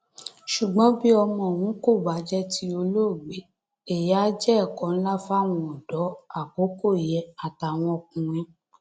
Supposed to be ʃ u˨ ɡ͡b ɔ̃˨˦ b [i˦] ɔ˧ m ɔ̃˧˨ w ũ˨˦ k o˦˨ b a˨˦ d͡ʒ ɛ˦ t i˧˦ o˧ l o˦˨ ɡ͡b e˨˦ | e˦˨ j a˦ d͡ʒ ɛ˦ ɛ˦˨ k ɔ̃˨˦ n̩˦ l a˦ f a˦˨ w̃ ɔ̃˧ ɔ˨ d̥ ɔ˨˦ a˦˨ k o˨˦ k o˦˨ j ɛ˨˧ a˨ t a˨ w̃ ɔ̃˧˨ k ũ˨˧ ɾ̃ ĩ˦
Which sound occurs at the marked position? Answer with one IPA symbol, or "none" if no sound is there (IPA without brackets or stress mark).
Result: i˦